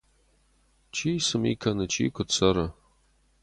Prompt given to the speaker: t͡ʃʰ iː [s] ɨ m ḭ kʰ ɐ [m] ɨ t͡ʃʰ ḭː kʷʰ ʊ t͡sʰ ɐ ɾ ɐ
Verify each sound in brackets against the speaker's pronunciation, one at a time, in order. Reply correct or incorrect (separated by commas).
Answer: correct, incorrect